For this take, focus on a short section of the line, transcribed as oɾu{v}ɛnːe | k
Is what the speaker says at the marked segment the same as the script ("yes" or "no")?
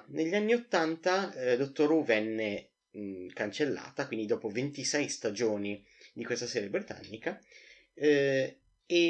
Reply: yes